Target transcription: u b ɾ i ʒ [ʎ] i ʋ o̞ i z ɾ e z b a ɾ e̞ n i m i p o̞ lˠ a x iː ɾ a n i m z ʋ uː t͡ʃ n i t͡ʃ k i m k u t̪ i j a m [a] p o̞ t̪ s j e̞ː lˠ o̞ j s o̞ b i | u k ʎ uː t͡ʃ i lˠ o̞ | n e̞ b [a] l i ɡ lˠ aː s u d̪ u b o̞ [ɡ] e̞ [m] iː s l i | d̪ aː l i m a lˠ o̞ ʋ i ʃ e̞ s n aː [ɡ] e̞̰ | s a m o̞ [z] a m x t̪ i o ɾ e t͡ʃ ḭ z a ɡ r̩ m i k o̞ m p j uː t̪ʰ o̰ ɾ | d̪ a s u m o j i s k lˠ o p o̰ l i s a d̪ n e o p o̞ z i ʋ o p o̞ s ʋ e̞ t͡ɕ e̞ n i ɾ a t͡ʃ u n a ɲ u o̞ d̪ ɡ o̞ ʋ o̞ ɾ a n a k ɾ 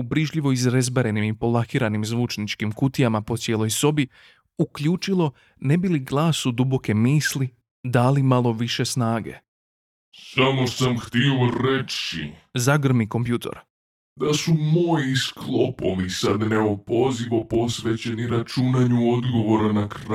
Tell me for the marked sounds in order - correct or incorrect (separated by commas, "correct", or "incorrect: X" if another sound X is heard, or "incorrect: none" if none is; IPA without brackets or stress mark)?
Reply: correct, correct, incorrect: i, incorrect: k, correct, correct, incorrect: s